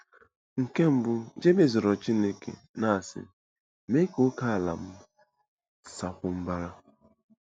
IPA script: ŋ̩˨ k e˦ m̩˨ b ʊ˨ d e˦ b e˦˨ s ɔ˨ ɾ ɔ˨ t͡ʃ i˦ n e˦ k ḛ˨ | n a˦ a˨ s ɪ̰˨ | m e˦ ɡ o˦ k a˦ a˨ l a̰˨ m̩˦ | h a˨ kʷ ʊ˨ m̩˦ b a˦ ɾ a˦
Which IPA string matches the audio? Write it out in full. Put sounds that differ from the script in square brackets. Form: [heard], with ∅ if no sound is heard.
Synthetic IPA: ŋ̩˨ k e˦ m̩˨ b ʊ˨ [d͡ʒ] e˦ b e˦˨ [z] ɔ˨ ɾ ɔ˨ t͡ʃ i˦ n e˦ k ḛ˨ | n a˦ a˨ s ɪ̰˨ | m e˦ [k] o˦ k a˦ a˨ l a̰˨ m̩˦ | [s] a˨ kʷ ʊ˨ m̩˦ b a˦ ɾ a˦

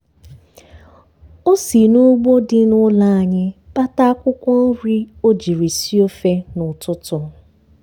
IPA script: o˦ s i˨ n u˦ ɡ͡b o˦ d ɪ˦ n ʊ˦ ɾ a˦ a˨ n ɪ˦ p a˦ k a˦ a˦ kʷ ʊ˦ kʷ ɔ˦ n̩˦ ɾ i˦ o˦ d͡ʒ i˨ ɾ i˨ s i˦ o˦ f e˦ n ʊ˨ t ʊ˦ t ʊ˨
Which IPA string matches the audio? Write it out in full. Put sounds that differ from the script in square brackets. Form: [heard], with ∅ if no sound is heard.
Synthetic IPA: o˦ s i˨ n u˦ ɡ͡b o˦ d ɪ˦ n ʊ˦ [l] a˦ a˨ [ɲ] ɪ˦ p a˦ [t] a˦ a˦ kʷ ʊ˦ kʷ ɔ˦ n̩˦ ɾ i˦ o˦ d͡ʒ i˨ ɾ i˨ s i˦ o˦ f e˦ n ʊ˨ t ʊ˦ t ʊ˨

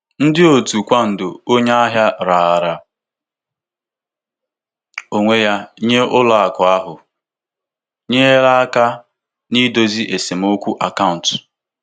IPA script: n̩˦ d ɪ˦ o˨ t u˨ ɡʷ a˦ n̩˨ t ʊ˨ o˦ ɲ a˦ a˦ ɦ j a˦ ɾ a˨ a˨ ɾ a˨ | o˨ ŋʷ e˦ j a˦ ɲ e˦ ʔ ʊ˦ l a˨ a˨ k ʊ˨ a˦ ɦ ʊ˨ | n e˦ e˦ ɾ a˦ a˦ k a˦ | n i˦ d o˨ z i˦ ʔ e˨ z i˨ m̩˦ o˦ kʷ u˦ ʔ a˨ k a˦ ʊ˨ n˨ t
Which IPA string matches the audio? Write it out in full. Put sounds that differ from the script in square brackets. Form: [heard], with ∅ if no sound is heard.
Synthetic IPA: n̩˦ d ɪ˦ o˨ t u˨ [kʷ] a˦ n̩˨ [d] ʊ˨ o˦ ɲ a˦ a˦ ɦ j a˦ ɾ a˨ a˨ ɾ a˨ | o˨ ŋʷ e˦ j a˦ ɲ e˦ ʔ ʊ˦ l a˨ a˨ k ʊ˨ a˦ ɦ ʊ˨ | [ɲ] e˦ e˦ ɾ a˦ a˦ k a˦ | n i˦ d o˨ z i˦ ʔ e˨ [s] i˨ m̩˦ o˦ kʷ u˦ ʔ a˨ k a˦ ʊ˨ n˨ t

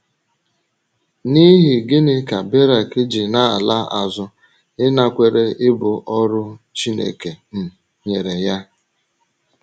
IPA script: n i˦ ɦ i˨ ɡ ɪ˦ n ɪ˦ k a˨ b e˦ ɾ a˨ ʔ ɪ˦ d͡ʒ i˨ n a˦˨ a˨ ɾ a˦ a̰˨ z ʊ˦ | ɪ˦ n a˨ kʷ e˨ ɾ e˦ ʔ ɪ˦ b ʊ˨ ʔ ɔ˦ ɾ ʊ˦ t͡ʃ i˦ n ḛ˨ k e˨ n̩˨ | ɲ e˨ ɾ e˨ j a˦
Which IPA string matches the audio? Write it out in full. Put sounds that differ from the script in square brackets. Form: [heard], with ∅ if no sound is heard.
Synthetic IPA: n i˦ ɦ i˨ ɡ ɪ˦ n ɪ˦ k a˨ b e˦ ɾ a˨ [k] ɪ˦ d͡ʒ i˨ n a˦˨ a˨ [l] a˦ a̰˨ z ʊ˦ | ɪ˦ n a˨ kʷ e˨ ɾ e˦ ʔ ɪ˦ b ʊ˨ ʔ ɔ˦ ɾ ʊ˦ t͡ʃ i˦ n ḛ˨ k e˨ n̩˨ | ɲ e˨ ɾ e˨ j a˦

